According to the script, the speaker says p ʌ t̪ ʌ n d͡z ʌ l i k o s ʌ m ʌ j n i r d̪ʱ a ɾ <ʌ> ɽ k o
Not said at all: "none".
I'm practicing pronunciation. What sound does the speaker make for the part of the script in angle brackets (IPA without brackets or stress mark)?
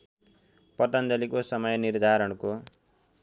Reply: ʌ